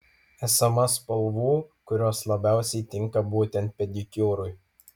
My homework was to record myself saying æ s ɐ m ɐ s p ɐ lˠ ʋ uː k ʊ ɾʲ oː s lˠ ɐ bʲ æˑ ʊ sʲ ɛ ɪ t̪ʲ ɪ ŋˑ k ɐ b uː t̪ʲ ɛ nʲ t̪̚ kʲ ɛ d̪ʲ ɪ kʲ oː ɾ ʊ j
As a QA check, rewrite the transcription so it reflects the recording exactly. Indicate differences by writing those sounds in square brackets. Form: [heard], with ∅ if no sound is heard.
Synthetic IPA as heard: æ s ɐ m ɐ s p ɐ lˠ ʋ uː k ʊ ɾʲ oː s lˠ ɐ bʲ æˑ ʊ sʲ ɛ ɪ t̪ʲ ɪ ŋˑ k ɐ b uː t̪ʲ ɛ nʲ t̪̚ [pʲ] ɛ d̪ʲ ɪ kʲ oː ɾ ʊ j